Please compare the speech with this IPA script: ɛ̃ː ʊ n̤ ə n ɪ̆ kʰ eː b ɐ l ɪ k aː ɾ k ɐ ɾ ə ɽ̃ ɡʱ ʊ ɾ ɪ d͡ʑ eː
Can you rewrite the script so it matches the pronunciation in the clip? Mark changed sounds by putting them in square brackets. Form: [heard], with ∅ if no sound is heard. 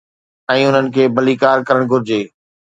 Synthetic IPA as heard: ɛ̃ː ʊ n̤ ə n ɪ̆ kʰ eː b ɐ l [i] k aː ɾ k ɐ ɾ ə ɽ̃ ɡʱ ʊ ɾ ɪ d͡ʑ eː